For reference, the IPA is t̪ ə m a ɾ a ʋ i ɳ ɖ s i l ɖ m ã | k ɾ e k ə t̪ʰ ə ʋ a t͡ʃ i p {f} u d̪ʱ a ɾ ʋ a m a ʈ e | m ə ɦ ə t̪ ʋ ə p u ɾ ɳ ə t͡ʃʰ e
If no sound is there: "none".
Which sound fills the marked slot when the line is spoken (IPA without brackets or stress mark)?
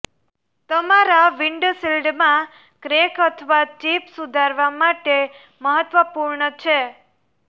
s